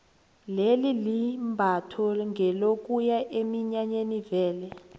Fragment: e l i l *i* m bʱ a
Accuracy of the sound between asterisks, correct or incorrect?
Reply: correct